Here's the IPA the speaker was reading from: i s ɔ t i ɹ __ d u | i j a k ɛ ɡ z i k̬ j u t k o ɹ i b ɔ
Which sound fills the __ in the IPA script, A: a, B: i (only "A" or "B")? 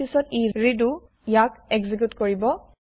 B